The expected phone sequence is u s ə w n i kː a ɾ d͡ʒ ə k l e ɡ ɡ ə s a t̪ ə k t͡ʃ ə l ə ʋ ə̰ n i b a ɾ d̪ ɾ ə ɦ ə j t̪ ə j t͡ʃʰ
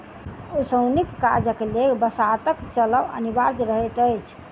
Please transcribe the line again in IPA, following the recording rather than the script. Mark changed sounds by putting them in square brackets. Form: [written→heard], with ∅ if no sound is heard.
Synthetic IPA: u s ə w n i kː a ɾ d͡ʒ ə k l e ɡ [ɡ→b] ə s a t̪ ə k t͡ʃ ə l ə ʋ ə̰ n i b a ɾ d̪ ɾ ə ɦ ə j t̪ ə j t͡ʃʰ